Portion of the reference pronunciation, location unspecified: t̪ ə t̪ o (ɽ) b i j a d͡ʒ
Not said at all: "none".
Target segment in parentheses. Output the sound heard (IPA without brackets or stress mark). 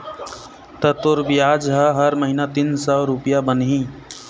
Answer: ɾ